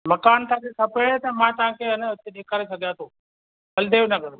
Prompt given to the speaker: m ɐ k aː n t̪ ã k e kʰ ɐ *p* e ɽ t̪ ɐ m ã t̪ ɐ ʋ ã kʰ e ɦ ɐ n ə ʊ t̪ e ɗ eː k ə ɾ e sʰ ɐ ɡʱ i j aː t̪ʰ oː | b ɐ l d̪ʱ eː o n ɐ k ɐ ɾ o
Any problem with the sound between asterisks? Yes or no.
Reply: no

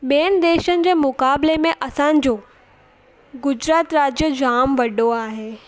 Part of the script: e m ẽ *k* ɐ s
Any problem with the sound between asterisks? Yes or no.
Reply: yes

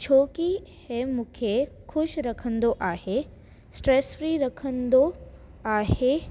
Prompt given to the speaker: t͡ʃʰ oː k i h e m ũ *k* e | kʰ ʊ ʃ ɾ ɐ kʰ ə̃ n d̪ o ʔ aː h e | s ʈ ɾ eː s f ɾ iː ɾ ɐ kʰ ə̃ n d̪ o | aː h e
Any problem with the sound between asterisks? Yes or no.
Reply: yes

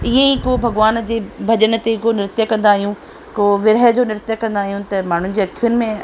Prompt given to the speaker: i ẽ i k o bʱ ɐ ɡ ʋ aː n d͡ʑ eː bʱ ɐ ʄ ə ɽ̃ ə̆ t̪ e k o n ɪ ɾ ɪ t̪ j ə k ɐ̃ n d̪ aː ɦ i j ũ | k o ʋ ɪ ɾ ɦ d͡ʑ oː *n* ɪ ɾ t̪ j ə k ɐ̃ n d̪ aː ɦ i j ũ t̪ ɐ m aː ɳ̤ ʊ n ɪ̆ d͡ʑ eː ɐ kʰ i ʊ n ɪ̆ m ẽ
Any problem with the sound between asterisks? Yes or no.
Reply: no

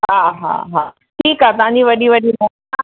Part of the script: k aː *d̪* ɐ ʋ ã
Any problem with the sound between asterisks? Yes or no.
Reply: yes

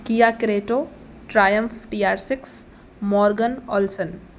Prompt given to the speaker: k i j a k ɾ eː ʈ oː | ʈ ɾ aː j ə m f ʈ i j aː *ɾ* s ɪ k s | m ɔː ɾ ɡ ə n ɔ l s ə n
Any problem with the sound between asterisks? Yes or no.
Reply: no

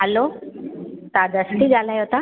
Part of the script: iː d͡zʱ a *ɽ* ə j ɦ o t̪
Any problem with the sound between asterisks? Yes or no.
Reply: yes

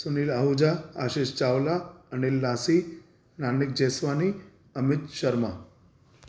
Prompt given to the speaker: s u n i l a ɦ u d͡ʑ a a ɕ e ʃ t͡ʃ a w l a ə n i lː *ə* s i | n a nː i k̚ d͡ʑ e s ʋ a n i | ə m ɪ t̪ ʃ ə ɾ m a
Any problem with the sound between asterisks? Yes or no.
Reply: yes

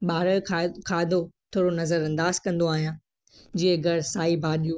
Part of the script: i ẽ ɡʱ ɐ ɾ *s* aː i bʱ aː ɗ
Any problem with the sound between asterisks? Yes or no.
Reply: no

